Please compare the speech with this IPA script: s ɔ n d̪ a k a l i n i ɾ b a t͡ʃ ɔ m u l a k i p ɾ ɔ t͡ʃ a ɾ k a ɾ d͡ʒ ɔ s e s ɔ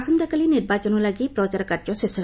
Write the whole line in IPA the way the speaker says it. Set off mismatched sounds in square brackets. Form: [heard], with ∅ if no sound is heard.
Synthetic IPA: s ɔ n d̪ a k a l i n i ɾ b a t͡ʃ ɔ [n] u l a [ɡ] i p ɾ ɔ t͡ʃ a ɾ k a ɾ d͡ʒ ɔ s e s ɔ